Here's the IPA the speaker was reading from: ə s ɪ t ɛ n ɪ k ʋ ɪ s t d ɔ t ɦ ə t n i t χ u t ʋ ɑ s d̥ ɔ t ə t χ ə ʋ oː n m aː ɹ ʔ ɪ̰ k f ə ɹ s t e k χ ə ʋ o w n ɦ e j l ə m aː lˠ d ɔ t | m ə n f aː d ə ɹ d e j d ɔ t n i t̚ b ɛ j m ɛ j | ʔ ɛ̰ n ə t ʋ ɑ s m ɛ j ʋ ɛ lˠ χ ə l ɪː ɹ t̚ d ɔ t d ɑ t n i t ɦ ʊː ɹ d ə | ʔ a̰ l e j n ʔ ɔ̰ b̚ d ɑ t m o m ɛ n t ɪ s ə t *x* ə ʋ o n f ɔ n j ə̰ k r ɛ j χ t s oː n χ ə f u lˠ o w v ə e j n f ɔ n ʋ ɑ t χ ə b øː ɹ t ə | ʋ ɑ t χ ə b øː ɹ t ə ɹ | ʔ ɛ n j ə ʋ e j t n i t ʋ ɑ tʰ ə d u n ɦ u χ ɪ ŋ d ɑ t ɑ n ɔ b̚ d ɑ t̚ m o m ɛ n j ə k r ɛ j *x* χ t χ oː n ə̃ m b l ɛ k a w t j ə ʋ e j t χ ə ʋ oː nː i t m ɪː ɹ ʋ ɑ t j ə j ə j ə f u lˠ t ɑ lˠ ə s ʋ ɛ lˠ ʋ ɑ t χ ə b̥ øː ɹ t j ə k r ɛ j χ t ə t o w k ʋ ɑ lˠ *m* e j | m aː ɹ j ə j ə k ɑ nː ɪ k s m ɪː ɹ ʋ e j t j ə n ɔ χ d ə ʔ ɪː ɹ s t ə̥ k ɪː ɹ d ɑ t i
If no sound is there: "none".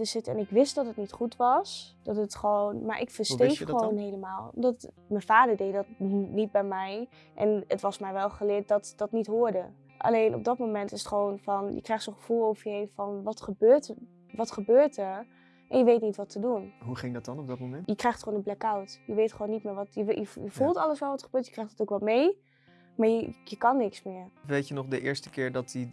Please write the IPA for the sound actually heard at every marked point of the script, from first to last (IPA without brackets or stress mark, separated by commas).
χ, x, m